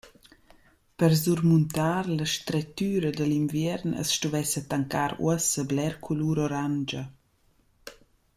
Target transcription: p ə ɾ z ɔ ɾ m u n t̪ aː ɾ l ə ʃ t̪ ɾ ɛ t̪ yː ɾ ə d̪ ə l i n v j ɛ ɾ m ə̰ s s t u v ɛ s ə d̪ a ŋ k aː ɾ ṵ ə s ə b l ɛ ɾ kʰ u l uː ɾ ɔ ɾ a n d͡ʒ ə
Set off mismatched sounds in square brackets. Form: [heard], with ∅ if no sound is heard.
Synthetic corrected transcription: p ə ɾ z [u] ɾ m u n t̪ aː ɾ l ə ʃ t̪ ɾ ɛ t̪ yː ɾ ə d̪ ə l i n v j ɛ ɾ [n] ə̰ s [ʃ] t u v ɛ s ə [t̪] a ŋ k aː ɾ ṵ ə s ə b l ɛ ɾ kʰ u l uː ɾ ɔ ɾ a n d͡ʒ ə